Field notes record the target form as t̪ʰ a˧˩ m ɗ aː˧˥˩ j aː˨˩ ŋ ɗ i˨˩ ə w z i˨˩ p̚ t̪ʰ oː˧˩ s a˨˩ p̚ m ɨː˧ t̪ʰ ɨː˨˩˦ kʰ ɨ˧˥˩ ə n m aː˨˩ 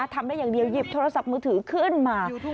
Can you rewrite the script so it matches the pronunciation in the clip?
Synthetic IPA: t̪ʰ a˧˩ m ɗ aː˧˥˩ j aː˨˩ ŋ ɗ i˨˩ ə w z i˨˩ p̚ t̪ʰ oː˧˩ s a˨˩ p̚ m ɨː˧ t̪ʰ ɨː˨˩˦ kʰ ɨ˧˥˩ ə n m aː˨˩